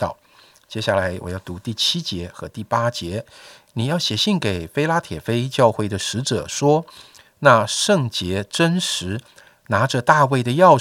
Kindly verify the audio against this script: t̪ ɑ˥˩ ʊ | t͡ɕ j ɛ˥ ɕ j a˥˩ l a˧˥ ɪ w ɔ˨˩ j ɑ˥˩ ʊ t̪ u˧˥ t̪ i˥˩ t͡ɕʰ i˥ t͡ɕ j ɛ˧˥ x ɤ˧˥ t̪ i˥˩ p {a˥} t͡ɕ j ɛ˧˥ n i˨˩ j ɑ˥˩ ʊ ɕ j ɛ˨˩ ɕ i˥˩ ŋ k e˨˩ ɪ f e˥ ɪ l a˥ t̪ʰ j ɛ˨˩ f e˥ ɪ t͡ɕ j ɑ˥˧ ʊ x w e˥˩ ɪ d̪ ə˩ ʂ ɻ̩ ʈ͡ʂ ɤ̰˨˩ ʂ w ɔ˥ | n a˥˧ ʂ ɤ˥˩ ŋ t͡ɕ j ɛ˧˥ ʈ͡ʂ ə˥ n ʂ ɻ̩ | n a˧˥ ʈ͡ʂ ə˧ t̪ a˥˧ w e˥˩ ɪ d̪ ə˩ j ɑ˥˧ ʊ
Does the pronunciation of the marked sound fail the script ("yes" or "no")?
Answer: no